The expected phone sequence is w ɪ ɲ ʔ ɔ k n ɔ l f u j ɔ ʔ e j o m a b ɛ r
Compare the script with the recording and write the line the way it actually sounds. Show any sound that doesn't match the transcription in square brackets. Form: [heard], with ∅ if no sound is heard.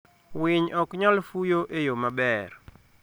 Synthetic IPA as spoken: w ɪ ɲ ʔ ɔ k [ɲ] ɔ l f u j [o] ʔ e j o m a b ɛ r